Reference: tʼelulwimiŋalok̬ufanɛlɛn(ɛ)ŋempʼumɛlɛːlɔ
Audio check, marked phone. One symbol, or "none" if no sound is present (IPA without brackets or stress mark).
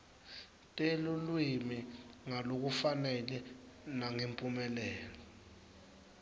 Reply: a